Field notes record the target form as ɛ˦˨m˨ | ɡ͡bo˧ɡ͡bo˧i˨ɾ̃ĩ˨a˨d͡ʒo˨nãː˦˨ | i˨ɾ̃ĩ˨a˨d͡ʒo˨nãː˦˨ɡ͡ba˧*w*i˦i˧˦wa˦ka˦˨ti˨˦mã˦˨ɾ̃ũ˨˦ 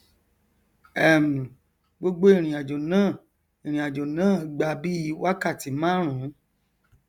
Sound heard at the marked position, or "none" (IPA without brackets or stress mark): b